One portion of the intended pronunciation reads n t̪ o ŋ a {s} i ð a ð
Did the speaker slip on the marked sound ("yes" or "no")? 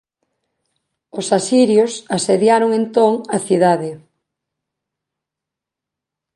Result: yes